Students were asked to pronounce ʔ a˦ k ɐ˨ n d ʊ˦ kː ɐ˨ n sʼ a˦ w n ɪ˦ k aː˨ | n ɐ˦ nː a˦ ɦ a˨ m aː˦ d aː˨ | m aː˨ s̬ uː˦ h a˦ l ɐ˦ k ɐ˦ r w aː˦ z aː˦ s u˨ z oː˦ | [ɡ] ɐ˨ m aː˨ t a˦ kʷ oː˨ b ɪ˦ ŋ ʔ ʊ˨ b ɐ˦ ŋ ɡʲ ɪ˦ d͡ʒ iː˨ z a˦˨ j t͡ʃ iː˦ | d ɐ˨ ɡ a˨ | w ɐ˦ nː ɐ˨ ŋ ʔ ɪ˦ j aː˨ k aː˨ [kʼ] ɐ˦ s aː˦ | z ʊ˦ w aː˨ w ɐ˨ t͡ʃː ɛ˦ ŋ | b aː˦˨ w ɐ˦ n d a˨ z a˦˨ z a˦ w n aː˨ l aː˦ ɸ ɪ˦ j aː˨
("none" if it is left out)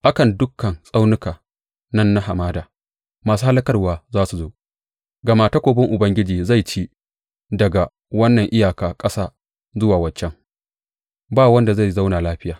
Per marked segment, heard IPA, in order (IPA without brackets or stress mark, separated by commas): ɡ, kʼ